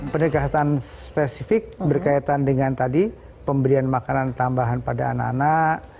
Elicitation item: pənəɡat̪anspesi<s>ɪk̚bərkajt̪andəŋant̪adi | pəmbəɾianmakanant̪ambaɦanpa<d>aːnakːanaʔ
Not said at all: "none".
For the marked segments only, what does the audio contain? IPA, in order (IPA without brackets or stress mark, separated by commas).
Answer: f, d